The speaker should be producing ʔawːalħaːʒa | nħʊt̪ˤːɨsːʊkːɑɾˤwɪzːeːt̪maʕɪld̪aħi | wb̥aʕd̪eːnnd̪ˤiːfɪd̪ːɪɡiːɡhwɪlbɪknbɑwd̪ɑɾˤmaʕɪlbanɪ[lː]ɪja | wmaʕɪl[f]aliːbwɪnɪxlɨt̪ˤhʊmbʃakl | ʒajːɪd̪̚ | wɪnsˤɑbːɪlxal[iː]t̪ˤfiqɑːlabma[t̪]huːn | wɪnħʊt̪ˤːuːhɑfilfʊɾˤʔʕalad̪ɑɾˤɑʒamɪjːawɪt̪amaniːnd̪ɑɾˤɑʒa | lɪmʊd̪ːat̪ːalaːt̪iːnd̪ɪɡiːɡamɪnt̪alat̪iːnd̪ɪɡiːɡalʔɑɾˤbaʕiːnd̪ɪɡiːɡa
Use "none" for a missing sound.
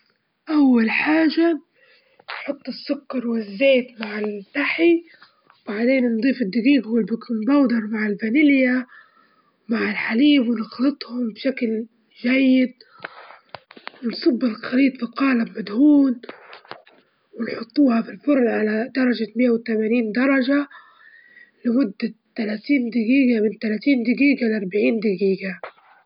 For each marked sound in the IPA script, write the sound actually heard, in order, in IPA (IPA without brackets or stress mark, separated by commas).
l, ħ, iː, d̪